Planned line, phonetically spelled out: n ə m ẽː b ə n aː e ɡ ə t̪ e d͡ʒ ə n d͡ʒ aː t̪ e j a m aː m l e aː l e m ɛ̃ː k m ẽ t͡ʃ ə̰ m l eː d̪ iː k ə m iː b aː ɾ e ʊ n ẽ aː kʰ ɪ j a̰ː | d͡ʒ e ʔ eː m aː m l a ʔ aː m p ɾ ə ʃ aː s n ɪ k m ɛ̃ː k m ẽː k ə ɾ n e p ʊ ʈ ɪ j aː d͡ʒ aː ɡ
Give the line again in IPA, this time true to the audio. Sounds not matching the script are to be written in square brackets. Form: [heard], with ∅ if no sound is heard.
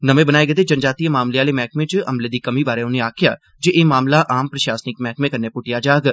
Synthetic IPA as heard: n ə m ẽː b ə n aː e ɡ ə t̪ e d͡ʒ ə n d͡ʒ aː t̪ [i] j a m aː m l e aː l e m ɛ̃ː k m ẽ t͡ʃ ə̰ m l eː d̪ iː k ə m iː b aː ɾ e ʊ n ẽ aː kʰ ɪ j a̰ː | d͡ʒ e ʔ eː m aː m l a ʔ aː m p ɾ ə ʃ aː s n ɪ k m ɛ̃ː k m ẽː k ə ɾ n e p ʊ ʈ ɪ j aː d͡ʒ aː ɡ